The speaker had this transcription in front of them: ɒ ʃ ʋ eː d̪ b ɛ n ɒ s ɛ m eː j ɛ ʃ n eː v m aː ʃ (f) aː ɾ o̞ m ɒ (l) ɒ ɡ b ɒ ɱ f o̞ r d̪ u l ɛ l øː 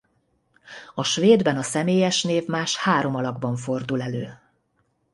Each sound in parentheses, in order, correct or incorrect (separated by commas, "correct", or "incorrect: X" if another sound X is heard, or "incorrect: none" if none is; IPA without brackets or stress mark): incorrect: h, correct